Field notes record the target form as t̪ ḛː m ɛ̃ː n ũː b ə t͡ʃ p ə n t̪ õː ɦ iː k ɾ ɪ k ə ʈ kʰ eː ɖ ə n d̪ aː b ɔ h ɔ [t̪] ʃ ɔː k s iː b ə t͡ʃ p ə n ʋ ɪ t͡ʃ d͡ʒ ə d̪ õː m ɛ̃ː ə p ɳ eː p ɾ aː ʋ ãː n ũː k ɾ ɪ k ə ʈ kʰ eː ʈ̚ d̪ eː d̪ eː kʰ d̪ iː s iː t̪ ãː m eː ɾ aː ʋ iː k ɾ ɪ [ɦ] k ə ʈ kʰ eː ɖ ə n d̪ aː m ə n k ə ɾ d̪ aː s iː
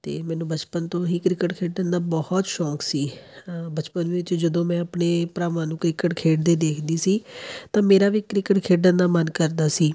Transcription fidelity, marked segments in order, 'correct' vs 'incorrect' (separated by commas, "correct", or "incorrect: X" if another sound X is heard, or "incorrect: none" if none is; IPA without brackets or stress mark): correct, incorrect: none